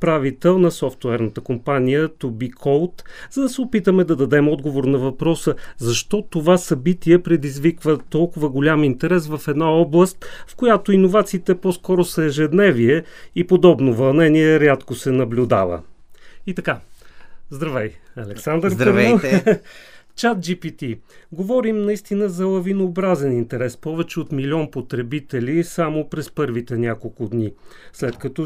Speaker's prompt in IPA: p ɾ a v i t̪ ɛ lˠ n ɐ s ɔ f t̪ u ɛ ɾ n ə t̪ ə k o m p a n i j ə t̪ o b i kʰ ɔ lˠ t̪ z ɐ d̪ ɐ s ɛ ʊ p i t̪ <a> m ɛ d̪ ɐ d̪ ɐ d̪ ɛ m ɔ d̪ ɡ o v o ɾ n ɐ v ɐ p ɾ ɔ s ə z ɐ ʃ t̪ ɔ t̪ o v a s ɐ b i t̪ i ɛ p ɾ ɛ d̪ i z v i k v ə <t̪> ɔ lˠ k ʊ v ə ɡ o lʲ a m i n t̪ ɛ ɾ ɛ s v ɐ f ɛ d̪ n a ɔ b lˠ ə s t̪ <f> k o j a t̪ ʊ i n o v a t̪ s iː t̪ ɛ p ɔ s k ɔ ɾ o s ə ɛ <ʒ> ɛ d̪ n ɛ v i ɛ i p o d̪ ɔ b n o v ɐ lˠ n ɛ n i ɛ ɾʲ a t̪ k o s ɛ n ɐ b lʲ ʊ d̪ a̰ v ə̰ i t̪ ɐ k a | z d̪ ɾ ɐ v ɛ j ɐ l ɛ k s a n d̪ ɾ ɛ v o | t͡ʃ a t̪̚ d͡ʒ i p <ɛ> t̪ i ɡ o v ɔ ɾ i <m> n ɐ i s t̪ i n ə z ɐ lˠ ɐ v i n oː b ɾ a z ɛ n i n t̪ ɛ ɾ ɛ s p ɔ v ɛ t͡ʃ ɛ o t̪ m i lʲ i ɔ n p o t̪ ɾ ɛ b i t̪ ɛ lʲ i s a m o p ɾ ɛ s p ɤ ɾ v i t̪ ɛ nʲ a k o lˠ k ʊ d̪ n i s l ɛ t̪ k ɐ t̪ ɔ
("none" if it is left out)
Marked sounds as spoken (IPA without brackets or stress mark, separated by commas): ə, t̪, f, ʒ, i, m